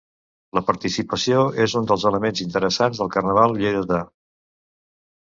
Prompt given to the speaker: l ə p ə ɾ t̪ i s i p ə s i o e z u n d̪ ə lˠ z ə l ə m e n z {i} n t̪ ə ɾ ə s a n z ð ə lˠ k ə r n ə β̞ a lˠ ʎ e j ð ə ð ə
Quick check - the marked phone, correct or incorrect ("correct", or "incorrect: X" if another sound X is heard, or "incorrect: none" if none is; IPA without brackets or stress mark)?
correct